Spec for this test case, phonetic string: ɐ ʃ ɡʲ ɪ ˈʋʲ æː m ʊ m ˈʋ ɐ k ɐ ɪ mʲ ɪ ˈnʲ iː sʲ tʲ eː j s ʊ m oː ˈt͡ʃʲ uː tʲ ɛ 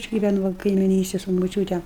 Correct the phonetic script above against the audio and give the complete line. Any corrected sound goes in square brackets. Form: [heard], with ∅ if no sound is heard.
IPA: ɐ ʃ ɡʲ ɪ ˈʋʲ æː [n] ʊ [∅] ˈʋ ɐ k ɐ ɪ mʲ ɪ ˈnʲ iː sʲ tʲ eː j s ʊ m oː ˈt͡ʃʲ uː tʲ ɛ